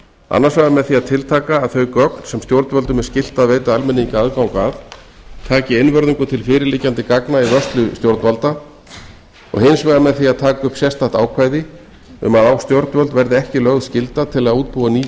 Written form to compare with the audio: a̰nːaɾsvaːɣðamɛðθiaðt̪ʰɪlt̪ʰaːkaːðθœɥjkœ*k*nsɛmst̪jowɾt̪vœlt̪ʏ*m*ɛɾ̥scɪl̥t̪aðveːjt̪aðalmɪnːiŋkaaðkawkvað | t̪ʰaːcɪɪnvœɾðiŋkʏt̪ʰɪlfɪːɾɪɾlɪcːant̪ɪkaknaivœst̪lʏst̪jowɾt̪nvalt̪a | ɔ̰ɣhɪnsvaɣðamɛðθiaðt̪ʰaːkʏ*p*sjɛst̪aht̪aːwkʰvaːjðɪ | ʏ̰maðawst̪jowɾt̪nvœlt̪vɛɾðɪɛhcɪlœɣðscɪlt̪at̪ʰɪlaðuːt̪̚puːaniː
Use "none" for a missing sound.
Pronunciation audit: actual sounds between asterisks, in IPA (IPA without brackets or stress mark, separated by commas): k, m, p